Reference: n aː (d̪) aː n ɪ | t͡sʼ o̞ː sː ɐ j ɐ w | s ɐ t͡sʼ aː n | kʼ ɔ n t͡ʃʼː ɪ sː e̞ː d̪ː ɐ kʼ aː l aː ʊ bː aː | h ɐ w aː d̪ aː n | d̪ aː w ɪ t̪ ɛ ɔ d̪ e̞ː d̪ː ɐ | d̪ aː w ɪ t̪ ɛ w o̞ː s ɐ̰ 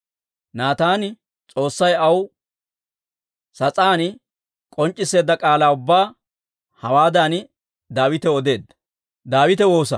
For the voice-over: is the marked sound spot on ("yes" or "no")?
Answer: no